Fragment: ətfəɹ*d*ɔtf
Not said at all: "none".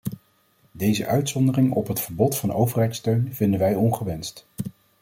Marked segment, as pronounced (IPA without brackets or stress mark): b